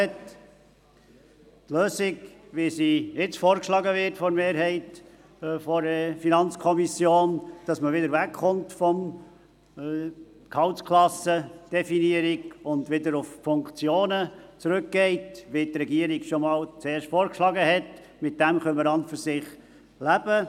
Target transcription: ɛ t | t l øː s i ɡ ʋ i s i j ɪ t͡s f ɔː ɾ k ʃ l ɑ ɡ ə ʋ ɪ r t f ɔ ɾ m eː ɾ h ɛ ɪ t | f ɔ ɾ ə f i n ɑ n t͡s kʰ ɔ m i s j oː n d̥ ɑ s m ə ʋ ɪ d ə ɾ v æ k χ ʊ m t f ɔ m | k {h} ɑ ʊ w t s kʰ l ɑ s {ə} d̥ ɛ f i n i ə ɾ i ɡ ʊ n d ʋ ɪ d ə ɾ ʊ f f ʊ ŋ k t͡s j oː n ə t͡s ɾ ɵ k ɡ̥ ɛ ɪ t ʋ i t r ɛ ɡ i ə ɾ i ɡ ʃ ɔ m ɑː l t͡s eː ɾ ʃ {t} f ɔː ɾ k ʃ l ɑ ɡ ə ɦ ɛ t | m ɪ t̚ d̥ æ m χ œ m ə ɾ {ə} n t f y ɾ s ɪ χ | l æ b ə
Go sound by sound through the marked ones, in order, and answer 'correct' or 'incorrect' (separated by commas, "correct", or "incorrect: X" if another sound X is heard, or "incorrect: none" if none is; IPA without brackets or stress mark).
correct, correct, correct, incorrect: ɑ